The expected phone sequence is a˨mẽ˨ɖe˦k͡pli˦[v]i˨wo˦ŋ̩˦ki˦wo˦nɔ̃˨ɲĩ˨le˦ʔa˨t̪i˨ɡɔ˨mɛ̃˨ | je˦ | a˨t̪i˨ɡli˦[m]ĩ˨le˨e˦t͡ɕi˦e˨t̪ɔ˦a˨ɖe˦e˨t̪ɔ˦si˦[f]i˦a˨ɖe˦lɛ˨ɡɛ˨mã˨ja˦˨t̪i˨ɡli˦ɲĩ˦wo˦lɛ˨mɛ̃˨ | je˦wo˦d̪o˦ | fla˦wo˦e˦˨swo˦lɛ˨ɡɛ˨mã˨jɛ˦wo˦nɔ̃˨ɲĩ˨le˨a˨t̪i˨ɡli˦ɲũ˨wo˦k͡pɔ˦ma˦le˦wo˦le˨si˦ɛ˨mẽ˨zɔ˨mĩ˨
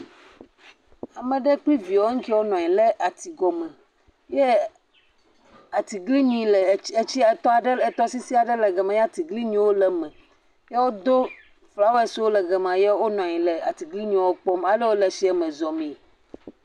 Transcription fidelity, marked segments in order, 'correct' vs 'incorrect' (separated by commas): correct, incorrect, incorrect